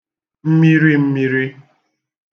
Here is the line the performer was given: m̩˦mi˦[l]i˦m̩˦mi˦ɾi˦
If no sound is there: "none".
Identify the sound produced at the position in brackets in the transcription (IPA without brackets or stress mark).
ɾ